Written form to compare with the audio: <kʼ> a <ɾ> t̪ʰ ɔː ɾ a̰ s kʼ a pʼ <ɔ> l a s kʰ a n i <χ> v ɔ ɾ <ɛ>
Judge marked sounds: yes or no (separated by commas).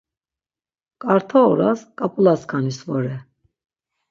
yes, yes, no, no, yes